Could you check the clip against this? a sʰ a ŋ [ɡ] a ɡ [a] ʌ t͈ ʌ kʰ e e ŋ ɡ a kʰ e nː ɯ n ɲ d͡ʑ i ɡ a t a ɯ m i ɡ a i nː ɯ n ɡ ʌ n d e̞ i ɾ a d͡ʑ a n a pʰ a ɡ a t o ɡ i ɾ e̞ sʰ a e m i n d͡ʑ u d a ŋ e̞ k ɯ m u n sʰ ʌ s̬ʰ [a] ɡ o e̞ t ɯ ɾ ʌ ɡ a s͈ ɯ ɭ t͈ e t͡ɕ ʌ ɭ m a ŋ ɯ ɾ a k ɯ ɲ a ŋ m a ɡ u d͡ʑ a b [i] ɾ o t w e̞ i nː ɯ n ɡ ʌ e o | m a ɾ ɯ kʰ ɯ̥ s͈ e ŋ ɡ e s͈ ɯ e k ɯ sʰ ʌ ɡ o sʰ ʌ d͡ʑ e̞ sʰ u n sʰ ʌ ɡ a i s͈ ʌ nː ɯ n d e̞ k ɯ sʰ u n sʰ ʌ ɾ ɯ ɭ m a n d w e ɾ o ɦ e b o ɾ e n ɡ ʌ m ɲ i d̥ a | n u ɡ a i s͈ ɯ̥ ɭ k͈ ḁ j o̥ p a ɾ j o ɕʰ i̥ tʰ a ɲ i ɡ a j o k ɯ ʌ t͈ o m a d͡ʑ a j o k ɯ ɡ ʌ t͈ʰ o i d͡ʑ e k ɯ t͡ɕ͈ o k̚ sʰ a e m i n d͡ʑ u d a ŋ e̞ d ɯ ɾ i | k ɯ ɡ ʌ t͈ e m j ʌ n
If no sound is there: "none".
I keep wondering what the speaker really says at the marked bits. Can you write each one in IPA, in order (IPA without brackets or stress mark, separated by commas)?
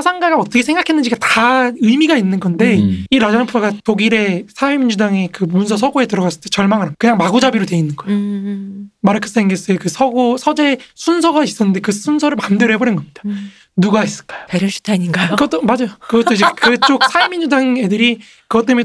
ɡ, a, ʌ, i